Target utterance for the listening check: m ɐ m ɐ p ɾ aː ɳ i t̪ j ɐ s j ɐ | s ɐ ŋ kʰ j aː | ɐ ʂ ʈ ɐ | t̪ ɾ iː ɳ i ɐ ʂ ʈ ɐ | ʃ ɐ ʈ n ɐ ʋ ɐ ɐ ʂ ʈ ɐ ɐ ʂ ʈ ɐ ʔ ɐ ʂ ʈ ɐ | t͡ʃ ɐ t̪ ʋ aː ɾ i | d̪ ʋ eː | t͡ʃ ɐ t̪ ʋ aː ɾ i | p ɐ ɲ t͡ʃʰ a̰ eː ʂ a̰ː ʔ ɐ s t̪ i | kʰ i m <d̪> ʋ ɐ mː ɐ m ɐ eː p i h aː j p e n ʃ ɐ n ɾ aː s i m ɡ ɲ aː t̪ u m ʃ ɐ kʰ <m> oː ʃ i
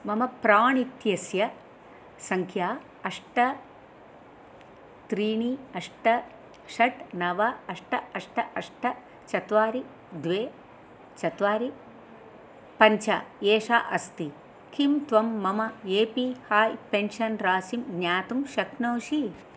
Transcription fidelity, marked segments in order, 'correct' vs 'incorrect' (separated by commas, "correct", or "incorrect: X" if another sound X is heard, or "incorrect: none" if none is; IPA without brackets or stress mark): incorrect: t̪, incorrect: n